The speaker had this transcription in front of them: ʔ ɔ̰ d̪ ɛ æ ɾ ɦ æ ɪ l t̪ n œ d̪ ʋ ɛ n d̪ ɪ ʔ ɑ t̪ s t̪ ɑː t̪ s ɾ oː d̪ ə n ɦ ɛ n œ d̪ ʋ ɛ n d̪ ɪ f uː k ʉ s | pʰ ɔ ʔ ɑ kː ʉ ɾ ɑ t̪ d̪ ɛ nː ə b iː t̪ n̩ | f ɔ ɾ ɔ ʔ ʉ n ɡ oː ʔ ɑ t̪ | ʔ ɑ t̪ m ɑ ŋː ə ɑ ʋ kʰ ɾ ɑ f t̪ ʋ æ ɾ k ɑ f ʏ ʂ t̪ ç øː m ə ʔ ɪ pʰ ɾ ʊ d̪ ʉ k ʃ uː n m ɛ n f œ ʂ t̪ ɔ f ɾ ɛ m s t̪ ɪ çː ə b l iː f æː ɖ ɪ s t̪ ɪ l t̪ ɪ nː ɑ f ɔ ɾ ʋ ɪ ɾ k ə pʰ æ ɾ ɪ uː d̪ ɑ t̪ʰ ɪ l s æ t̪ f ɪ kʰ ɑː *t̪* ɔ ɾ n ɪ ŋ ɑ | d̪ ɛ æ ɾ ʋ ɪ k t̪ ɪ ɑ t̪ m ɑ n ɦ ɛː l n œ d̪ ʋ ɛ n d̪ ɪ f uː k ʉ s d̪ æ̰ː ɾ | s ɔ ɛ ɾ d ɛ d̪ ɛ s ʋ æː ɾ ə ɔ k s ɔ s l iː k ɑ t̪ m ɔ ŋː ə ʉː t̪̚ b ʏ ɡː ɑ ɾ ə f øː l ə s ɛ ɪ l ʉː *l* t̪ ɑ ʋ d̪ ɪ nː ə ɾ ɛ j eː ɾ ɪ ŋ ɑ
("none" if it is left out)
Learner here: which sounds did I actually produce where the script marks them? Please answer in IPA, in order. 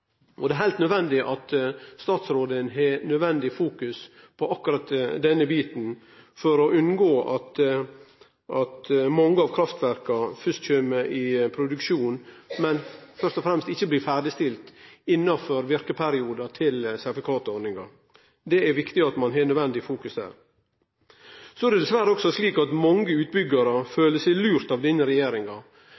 t̪, ɾ

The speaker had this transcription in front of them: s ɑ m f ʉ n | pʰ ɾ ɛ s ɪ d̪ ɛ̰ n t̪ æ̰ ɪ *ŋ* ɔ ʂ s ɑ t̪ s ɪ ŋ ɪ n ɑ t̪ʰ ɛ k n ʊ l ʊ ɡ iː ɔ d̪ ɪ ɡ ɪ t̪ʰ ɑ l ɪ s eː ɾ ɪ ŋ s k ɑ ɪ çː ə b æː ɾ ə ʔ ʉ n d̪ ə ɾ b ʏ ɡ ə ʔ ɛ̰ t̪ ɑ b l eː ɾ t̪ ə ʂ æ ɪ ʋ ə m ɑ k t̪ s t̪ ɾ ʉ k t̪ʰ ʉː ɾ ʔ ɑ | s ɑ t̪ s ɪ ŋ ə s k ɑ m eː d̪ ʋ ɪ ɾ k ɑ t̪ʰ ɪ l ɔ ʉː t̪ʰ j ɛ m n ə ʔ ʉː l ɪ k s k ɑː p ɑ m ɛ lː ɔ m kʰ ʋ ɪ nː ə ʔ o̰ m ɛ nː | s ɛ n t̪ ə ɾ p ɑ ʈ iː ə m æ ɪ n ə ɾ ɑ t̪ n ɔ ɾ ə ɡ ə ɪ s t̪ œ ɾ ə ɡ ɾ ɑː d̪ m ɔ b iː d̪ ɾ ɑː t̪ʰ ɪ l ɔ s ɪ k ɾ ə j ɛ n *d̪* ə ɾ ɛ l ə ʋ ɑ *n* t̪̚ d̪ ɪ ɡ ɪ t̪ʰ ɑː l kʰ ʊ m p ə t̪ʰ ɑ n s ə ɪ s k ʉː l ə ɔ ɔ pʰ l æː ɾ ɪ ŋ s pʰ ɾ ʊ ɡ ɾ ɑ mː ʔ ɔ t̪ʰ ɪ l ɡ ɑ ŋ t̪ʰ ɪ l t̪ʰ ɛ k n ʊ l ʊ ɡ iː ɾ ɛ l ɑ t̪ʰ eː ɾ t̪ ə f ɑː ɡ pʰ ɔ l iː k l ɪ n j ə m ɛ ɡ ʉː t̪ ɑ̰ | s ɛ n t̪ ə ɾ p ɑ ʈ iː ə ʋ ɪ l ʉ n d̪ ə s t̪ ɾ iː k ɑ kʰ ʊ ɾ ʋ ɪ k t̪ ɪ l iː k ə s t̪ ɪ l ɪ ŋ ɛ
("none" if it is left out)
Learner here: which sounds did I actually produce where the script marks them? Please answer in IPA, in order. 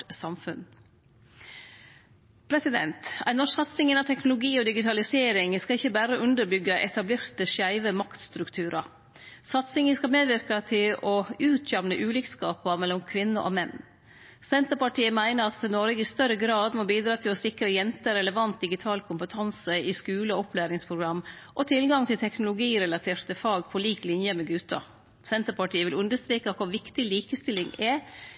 n, t̪, n

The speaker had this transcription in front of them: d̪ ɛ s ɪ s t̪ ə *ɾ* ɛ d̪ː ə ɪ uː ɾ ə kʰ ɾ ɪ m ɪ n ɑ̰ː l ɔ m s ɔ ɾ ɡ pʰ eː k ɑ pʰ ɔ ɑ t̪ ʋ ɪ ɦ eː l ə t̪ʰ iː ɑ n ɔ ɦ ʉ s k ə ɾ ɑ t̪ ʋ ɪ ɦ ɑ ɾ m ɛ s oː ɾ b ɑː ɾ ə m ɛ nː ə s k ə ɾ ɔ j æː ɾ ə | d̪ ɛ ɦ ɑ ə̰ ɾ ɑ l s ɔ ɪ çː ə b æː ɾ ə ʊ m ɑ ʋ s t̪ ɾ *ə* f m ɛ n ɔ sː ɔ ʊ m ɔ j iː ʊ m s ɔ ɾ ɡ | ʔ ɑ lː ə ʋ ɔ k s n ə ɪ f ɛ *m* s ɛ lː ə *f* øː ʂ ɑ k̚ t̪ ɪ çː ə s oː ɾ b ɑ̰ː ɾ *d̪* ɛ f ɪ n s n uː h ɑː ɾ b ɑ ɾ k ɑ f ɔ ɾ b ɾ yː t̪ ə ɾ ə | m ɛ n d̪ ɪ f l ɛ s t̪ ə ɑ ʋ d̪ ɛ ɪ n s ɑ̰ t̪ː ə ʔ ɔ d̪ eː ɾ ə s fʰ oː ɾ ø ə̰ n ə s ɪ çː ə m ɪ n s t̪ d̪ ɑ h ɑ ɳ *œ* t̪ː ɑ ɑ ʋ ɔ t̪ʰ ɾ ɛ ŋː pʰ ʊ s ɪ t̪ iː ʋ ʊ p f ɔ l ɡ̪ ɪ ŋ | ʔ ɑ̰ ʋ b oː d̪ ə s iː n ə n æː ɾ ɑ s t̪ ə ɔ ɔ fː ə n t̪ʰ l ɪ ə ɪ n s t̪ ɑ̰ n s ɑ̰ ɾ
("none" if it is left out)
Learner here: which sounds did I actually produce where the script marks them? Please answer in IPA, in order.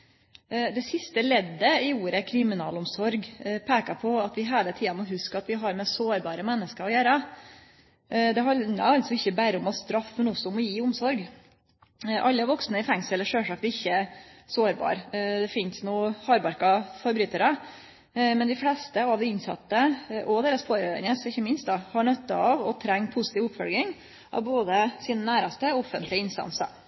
l, ɑ, ŋ, ʂ, d̪, œ

